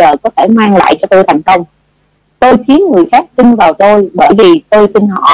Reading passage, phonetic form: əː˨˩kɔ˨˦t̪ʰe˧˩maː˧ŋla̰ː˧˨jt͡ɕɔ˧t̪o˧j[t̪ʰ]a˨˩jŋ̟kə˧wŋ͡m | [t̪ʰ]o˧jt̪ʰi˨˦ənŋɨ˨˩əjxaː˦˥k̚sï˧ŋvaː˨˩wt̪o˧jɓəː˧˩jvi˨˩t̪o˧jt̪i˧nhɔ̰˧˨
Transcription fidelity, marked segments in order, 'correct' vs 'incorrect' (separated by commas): correct, incorrect